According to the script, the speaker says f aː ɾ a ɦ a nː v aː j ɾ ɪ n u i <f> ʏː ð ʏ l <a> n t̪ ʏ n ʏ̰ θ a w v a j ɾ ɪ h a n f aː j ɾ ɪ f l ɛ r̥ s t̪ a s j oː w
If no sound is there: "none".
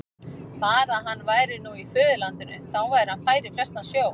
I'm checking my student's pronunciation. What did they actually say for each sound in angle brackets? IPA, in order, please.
f, a

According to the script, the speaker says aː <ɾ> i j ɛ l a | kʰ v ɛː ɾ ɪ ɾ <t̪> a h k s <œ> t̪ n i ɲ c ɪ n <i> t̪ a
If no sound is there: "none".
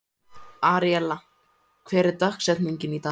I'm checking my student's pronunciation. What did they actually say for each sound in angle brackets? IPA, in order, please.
ɾ, t̪, ɛ, i

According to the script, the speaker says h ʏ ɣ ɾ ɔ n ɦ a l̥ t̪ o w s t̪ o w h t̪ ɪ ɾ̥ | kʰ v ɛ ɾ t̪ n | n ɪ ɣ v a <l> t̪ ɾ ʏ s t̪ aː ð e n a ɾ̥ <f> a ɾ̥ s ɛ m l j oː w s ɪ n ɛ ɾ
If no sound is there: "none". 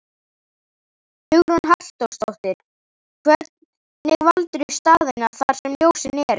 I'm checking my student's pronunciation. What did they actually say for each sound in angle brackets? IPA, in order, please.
l, θ

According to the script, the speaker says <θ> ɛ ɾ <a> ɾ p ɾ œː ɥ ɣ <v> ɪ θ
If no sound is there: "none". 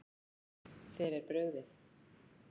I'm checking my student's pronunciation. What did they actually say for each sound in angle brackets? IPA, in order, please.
θ, ɛ, ð

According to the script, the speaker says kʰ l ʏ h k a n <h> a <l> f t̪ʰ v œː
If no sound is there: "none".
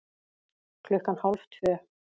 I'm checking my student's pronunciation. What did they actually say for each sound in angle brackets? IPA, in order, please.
h, l

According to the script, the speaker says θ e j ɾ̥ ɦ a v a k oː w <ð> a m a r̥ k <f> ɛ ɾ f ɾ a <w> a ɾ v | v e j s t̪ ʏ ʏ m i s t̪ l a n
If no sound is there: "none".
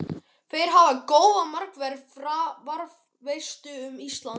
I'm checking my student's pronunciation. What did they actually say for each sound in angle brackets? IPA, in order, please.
ð, v, v

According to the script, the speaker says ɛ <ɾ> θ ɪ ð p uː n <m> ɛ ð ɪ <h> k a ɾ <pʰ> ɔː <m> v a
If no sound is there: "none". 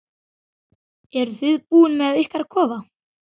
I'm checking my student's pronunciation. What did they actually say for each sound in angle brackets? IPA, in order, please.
ɾ, m, h, kʰ, none

